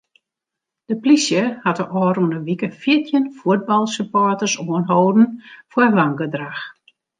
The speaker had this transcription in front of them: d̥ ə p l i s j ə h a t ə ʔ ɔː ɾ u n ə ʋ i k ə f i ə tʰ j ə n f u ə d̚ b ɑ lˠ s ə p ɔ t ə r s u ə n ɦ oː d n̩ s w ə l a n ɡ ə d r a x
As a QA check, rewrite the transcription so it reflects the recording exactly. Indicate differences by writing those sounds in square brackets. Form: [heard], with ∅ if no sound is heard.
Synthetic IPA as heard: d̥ ə p l i s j ə h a t ə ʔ ɔː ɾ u n ə ʋ i k ə f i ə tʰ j ə n f u ə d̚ b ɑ lˠ s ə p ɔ t ə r s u ə n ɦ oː d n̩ [f] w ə l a [ŋ] ɡ ə d r a x